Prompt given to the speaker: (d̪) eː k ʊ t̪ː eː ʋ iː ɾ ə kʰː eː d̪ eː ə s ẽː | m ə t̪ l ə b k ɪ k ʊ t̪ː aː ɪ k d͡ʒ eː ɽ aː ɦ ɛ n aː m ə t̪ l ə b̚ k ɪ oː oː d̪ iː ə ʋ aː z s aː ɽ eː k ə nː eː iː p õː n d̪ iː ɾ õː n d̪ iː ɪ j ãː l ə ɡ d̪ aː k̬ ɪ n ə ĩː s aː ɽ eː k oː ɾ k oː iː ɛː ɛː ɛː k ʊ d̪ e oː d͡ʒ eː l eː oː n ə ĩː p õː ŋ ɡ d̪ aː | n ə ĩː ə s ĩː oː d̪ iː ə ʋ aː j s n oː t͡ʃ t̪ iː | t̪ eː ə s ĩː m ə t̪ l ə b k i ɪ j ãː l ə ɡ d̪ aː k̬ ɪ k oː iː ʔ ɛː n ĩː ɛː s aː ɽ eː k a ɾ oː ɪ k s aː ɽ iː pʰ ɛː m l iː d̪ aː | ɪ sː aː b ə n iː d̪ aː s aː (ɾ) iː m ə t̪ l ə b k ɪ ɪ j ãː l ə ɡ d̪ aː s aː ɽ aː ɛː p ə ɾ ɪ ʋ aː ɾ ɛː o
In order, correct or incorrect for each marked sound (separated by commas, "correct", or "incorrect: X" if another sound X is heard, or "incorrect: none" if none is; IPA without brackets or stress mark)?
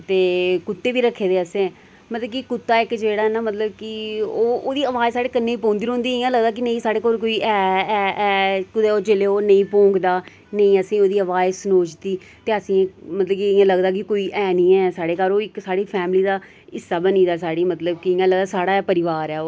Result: incorrect: t̪, incorrect: ɽ